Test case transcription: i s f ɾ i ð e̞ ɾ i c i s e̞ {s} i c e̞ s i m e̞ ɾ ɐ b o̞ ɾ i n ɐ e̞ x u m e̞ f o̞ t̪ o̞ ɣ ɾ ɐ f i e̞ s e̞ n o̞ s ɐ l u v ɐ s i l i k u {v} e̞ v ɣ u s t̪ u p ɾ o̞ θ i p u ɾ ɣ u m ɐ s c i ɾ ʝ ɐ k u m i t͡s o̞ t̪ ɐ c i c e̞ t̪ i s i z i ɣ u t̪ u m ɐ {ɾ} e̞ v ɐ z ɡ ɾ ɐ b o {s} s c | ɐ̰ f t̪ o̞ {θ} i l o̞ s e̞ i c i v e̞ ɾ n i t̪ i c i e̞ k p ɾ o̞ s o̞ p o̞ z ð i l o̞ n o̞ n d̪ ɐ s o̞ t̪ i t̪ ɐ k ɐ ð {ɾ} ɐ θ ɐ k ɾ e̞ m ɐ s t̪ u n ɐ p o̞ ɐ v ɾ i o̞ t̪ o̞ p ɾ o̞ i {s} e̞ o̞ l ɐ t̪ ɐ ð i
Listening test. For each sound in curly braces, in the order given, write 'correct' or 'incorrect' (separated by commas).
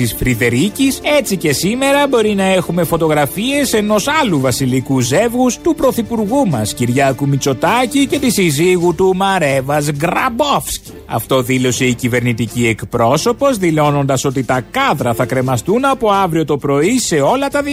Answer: incorrect, incorrect, correct, incorrect, incorrect, correct, correct